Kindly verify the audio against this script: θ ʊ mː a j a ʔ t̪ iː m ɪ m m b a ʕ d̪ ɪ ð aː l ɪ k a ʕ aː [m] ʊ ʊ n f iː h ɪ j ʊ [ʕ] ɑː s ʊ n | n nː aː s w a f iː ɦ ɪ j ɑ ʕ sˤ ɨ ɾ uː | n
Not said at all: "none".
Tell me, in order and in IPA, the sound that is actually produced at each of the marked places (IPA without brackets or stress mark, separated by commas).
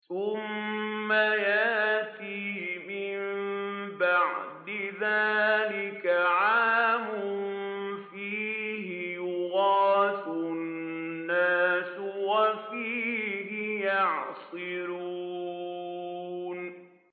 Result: m, ɣ